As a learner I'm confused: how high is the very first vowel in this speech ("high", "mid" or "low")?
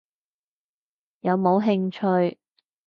low